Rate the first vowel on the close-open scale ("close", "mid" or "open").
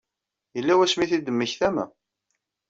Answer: mid